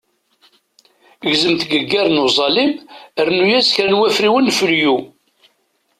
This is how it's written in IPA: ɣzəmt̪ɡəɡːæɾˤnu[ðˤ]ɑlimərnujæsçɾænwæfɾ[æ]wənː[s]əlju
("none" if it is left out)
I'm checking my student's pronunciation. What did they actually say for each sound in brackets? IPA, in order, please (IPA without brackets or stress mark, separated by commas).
zˤ, i, f